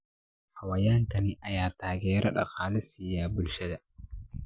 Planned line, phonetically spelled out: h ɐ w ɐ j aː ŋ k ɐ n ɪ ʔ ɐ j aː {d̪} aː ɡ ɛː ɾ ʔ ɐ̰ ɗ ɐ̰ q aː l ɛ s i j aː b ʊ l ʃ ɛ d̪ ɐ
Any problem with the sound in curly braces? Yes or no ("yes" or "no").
yes